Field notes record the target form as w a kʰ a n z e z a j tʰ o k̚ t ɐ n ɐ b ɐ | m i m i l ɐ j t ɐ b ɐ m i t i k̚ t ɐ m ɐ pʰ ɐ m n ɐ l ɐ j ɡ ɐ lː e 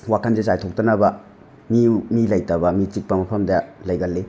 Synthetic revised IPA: w a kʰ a n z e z a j tʰ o k̚ t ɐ n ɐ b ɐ | m i m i l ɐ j t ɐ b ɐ m i t͡ʃ i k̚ p ɐ m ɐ pʰ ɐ m d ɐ l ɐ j ɡ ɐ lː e